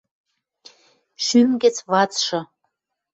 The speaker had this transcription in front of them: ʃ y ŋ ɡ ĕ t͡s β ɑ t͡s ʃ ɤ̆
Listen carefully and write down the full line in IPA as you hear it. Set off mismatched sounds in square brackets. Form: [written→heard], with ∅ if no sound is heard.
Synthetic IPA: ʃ y [ŋ→m] ɡ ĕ t͡s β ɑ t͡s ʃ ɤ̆